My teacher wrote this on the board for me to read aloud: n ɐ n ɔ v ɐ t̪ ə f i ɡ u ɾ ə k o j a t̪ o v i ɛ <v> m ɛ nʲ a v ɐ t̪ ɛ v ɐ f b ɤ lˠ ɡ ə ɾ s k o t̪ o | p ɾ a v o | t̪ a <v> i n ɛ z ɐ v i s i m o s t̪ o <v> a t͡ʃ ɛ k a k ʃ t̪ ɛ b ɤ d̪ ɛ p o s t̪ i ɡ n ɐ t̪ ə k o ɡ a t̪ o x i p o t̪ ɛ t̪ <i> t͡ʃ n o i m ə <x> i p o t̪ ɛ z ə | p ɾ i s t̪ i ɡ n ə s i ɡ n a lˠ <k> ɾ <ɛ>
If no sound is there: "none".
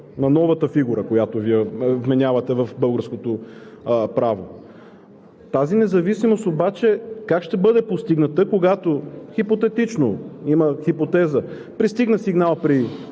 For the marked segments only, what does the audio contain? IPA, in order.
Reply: v, z, b, i, x, p, i

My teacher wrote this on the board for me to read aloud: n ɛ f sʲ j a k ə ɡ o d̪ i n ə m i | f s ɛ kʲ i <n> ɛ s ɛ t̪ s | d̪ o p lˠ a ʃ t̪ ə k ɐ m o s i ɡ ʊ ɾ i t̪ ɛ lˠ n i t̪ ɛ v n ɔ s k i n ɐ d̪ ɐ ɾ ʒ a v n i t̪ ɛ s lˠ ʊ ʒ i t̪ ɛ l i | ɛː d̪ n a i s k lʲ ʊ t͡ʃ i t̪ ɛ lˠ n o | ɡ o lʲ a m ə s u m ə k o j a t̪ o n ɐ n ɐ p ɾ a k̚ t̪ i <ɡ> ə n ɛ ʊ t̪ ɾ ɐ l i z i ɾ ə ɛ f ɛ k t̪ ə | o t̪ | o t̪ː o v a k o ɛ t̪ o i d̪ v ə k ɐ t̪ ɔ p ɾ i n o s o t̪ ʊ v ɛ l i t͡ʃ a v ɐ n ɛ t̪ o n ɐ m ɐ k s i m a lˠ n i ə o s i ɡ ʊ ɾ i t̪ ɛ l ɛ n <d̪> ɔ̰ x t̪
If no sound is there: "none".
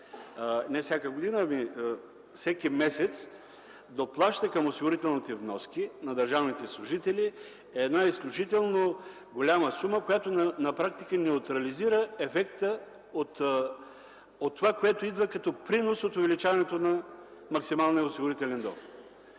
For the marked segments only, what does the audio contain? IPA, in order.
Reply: m, k, d̪

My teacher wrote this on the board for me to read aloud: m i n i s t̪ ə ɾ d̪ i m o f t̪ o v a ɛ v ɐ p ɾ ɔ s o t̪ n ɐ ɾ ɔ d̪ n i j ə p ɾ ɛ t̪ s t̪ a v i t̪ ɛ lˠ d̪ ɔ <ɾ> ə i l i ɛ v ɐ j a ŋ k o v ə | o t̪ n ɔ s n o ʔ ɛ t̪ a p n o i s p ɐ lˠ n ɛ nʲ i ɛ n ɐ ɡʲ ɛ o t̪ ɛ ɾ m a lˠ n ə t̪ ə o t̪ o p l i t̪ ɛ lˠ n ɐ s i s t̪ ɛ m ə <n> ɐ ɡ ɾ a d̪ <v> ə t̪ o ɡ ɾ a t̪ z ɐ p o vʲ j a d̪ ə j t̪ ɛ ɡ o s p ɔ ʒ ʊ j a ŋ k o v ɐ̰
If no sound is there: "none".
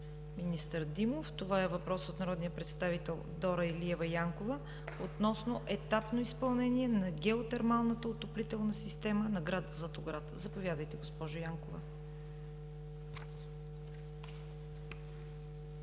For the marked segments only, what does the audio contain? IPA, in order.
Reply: ɾ, n, z

